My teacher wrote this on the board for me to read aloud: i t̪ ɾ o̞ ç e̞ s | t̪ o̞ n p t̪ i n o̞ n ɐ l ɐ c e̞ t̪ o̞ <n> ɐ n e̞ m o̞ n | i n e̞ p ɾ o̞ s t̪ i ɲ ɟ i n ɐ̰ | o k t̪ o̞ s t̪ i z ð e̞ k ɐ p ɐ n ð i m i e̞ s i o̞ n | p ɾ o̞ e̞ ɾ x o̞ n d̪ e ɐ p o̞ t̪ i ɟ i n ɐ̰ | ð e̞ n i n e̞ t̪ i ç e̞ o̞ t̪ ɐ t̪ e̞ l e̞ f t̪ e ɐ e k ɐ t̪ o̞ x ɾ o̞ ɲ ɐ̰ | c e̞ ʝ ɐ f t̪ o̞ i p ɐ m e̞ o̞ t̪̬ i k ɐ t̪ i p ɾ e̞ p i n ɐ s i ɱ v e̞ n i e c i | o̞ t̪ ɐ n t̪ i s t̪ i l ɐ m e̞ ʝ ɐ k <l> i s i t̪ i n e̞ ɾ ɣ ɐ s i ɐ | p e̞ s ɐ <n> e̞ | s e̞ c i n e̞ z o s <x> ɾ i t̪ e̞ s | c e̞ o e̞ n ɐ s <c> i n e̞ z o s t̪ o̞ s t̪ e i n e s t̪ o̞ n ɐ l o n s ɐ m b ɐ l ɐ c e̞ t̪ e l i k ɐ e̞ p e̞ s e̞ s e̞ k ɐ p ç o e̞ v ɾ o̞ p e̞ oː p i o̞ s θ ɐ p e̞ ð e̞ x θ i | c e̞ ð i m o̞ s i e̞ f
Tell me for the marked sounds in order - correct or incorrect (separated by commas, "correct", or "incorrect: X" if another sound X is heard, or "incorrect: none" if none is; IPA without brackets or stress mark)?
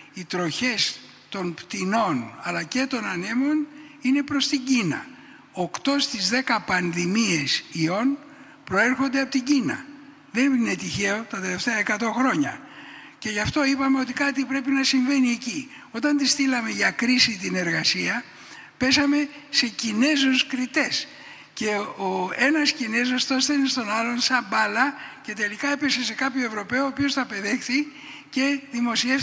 correct, incorrect: ɾ, incorrect: m, incorrect: k, correct